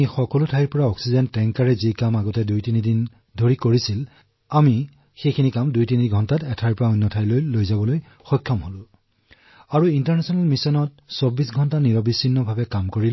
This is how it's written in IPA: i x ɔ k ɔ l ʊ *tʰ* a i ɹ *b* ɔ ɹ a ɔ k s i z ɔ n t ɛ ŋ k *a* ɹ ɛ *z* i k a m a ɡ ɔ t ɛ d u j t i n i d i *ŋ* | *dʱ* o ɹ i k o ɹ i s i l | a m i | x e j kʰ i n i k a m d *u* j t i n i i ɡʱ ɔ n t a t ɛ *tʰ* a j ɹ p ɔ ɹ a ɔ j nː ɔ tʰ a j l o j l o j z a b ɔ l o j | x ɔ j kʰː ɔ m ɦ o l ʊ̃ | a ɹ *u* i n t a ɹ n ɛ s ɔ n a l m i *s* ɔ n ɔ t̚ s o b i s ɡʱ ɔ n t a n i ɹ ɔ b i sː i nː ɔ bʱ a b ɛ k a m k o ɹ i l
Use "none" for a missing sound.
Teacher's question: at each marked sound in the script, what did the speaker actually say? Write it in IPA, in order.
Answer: tʰ, p, a, z, n, dʱ, u, tʰ, u, s

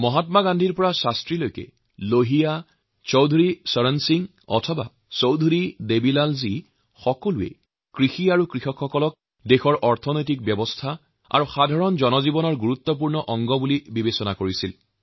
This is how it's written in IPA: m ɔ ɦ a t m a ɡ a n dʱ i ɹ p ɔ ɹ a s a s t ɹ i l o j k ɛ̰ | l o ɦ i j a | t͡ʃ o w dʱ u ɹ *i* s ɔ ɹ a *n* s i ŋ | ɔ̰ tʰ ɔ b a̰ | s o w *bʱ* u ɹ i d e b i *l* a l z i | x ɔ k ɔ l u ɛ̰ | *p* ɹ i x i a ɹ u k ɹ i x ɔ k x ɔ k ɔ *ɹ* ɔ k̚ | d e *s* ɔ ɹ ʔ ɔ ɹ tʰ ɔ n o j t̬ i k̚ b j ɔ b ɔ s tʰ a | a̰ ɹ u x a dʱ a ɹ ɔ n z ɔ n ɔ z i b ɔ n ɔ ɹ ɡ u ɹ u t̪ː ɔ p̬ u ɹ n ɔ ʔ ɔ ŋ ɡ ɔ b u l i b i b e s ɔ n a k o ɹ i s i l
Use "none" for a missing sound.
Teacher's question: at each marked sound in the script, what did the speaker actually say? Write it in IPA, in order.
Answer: i, n, dʱ, l, k, l, x

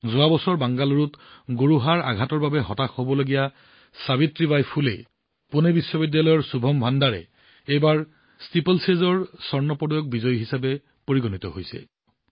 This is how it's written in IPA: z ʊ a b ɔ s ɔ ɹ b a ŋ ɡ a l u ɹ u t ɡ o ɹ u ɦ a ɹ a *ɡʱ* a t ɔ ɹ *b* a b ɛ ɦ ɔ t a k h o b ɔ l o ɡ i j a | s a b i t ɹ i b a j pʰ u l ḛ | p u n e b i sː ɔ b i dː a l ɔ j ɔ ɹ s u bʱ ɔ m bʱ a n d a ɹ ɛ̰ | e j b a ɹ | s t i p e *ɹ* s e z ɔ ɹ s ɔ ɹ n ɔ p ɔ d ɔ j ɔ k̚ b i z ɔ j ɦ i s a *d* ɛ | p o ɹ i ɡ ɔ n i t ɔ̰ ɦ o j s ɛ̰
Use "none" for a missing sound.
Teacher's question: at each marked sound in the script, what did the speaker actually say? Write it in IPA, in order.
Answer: ɡʱ, b, l, b

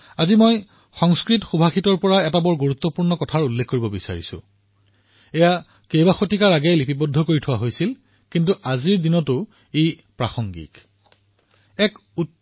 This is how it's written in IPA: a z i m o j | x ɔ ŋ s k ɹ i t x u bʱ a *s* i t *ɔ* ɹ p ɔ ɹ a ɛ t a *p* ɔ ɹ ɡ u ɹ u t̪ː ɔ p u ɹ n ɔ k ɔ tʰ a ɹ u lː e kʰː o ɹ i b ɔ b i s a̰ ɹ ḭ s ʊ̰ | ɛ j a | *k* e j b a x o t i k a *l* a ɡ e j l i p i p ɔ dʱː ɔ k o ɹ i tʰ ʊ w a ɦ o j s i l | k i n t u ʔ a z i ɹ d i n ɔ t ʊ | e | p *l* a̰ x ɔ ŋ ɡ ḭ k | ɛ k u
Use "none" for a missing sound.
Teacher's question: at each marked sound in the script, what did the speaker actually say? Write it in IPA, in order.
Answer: x, ɔ, b, k, ɹ, ɹ

